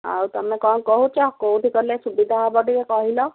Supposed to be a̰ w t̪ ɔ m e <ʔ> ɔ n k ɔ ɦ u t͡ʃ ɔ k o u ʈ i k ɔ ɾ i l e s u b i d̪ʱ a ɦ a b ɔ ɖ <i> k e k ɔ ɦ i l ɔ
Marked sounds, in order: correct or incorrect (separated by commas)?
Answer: incorrect, correct